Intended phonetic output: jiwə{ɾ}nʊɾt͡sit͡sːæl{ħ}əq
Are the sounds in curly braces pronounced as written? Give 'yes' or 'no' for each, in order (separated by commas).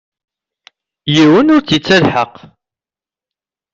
no, yes